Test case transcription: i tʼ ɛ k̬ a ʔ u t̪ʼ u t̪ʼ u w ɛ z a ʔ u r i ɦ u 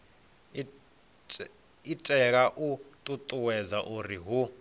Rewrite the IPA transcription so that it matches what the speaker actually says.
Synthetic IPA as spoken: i tʼ ɛ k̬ a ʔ u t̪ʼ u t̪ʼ u w ɛ z a ʔ u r i ɦ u